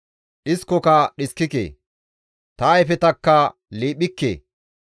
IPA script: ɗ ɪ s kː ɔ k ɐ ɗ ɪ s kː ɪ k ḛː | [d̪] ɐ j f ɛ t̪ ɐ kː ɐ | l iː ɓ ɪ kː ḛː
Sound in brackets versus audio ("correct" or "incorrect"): incorrect